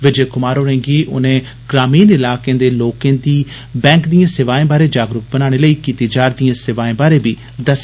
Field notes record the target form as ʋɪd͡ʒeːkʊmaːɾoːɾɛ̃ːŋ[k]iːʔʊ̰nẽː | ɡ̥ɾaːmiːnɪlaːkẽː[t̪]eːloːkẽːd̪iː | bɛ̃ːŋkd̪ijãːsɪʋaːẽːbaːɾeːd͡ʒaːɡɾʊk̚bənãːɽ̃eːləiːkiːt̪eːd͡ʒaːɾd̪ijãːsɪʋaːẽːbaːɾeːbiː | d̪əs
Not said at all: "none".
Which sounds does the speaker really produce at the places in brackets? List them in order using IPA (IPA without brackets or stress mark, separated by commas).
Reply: ɡ, d̪